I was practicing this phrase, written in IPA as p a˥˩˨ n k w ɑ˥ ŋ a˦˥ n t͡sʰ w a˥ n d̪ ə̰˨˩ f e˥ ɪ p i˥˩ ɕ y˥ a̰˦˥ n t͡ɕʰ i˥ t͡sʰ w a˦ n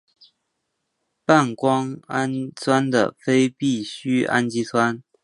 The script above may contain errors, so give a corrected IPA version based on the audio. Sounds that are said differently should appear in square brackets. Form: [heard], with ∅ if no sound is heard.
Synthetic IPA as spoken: p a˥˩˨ n k w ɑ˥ ŋ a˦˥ n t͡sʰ w a˥ n d̪ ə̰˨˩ f e˥ ɪ p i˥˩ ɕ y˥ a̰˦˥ n [t͡ɕ] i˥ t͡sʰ w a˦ n